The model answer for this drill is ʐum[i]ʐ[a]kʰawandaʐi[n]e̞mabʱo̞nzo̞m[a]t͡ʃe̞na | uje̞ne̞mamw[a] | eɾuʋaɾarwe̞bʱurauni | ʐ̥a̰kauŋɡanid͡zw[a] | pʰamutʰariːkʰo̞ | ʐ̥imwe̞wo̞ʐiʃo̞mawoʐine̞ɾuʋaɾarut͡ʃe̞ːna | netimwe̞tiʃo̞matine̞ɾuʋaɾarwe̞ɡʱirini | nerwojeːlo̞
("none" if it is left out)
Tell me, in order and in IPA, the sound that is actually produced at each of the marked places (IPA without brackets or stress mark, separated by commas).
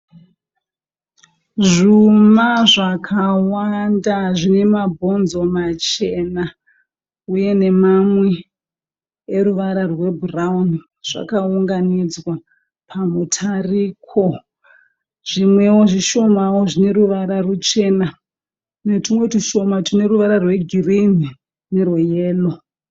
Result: a, a, n, a, e, a